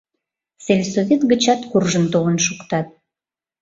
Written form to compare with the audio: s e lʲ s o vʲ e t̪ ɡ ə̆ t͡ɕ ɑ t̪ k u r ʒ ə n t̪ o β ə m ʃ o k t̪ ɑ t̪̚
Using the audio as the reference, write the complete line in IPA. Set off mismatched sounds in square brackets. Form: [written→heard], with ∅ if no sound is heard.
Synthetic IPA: s e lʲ s o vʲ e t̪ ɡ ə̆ t͡ɕ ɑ t̪ k u r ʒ ə n t̪ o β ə [m→n] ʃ [o→u] k t̪ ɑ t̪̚